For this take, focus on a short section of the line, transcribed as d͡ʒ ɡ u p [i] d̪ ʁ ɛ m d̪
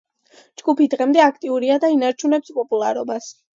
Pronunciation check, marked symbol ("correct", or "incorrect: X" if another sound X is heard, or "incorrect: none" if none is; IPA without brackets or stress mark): correct